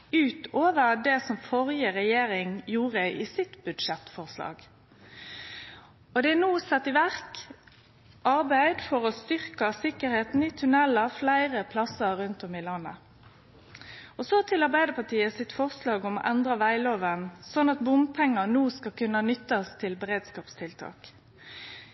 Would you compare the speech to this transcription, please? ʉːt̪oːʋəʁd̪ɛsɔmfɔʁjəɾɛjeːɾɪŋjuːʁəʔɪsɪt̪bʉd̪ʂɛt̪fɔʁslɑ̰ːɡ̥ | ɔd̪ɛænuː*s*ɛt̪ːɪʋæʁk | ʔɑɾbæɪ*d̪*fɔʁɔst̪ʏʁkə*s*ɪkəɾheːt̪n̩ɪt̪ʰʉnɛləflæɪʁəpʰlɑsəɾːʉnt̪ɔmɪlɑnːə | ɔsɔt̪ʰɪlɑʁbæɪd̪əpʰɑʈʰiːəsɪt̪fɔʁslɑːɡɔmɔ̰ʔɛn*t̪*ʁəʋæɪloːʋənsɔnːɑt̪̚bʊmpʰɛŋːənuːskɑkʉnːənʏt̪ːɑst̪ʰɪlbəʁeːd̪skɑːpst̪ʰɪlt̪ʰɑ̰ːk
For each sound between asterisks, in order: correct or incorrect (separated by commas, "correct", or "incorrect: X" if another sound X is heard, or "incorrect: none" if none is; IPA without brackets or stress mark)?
correct, correct, correct, incorrect: d̪